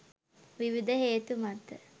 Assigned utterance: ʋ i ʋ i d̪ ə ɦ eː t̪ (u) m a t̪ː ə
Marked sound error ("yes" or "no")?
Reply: no